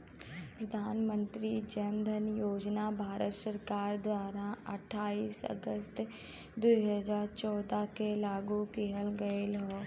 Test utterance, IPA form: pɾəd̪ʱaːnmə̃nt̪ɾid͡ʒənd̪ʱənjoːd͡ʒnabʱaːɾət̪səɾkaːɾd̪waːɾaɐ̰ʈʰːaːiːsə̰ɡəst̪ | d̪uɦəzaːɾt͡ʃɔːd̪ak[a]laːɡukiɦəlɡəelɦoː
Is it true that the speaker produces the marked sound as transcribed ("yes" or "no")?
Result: no